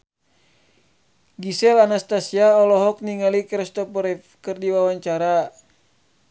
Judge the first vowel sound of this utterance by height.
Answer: high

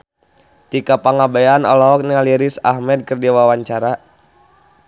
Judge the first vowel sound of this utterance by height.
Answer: high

